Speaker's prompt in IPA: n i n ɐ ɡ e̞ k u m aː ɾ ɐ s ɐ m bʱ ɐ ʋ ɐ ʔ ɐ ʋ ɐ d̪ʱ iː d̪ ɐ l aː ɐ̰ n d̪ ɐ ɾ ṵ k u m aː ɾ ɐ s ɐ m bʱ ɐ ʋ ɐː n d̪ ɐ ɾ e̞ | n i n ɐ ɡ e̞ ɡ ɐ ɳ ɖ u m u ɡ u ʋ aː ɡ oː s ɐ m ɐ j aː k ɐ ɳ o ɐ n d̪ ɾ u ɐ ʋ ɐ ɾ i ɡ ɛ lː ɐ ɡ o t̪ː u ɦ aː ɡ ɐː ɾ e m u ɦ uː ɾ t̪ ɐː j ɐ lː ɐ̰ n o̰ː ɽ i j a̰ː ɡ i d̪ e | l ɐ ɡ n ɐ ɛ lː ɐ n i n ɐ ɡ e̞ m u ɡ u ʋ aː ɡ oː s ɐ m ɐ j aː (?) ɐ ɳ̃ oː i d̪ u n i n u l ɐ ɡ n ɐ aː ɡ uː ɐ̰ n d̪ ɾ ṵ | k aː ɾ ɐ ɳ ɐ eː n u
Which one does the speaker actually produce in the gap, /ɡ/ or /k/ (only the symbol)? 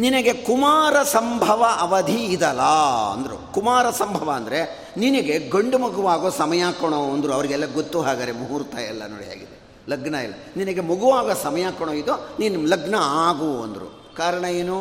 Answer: k